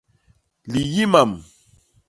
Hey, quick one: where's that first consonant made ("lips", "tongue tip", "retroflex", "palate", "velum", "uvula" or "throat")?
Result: tongue tip